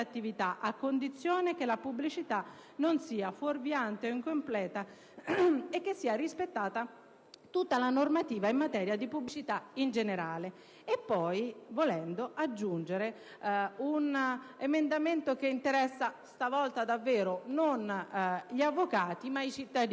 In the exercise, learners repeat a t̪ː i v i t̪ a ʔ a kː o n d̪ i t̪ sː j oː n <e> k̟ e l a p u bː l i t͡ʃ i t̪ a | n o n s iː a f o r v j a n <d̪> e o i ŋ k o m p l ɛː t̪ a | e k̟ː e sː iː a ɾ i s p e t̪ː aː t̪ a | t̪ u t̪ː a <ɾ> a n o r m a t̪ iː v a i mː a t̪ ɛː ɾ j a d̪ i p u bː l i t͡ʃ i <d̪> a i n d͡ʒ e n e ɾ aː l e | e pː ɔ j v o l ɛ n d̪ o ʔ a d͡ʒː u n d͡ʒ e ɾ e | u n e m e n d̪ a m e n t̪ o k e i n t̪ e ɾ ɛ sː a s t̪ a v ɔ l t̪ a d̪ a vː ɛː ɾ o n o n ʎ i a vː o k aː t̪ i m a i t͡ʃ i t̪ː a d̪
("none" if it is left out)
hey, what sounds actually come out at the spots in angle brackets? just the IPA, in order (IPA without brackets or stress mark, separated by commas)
e, t̪, l, t̪